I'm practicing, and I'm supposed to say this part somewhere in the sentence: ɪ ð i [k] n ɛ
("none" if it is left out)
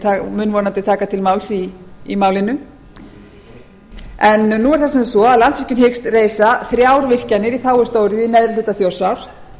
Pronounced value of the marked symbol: none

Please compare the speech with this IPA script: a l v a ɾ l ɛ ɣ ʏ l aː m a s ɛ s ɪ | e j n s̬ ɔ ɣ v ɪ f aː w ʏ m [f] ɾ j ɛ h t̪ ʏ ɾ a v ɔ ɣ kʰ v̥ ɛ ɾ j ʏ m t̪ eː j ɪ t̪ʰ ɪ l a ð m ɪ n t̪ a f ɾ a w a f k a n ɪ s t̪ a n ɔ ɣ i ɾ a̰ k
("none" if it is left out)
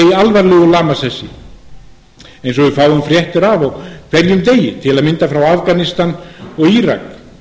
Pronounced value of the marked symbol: f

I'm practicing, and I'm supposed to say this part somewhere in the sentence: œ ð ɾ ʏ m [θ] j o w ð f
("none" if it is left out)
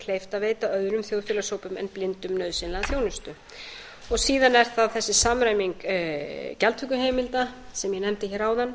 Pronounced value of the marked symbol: θ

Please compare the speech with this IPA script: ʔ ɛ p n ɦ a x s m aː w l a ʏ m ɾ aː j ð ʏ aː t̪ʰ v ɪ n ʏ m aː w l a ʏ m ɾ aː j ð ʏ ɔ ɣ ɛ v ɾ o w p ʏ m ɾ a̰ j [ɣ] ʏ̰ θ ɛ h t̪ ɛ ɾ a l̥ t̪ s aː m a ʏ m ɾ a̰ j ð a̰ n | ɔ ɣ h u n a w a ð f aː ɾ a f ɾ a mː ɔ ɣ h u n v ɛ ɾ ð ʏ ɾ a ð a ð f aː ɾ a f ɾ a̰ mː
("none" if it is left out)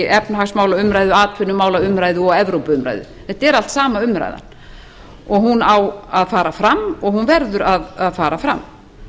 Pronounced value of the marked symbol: ð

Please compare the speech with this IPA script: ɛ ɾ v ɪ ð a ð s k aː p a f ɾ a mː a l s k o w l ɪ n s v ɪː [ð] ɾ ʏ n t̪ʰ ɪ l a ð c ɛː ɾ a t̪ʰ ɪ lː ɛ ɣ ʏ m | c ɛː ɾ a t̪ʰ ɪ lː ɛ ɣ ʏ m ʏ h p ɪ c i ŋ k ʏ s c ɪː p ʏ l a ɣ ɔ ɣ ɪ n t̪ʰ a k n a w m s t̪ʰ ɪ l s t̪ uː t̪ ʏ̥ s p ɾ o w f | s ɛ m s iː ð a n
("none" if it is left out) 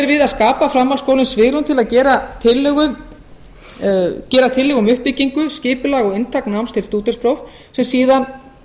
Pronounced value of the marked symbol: ɣ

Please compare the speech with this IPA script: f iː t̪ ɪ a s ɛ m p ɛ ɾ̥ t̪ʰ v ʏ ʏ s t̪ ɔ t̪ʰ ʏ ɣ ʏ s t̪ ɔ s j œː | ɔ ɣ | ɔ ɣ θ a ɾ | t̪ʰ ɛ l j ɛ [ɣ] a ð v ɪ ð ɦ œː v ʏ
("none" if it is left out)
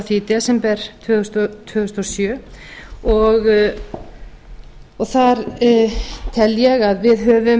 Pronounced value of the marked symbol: ɣ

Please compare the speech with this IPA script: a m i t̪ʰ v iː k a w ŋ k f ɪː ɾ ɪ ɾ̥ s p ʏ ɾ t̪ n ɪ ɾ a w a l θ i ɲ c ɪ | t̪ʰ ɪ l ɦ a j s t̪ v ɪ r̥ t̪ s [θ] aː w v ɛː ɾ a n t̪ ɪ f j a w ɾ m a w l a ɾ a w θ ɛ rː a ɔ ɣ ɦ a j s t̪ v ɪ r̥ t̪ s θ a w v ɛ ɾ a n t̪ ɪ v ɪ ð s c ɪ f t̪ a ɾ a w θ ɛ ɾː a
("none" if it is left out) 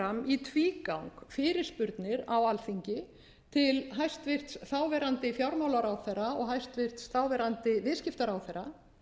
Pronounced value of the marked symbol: θ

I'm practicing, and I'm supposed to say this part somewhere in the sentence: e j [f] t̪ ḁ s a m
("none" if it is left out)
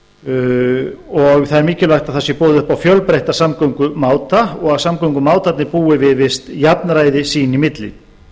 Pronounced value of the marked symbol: h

